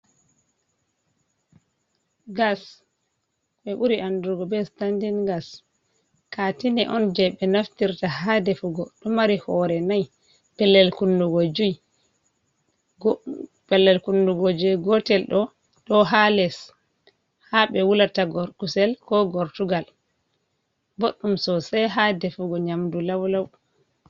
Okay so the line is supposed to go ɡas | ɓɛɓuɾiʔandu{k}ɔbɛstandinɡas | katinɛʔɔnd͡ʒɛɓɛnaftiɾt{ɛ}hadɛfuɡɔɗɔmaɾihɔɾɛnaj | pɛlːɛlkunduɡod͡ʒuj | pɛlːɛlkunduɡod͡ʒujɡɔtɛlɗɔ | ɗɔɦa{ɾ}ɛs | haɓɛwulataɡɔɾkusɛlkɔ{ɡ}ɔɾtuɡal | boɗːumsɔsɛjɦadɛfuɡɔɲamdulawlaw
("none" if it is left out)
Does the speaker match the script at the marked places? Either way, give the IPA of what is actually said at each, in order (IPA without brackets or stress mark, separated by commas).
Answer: ɡ, a, l, ɡ